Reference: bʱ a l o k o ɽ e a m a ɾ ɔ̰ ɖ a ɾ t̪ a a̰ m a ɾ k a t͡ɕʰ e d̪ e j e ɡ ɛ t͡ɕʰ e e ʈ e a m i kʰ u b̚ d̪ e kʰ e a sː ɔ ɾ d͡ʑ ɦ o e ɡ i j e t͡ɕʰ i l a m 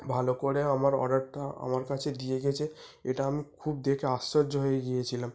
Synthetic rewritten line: bʱ a l o k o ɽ e a m a ɾ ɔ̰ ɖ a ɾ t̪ a a̰ m a ɾ k a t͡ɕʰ e d̪ i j e ɡ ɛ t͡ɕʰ e e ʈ a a m i kʰ u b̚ d̪ e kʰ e a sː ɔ ɾ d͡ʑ ɦ o e ɡ i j e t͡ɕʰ i l a m